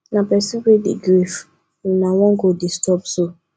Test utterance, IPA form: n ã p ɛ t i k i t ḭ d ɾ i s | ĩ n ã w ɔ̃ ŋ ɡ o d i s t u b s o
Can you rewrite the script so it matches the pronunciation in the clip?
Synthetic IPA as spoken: n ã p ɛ s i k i d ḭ ɡ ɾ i f | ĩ n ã w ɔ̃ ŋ ɡ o d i s t ɔ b s o